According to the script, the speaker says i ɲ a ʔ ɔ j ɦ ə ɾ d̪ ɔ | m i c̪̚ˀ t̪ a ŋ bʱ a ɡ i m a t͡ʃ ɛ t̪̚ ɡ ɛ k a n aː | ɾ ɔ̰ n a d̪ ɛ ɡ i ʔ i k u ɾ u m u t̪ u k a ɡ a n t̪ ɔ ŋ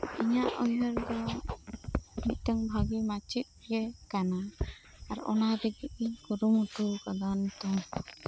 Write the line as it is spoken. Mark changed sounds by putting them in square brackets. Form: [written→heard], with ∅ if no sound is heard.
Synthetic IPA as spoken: i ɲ a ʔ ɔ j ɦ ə ɾ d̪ ɔ | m i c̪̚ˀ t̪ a ŋ bʱ a ɡ i m a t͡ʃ [ɛ→i] t̪̚ ɡ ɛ k a n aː | ɾ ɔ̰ n a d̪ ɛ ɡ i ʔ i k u ɾ u m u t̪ u k a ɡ a n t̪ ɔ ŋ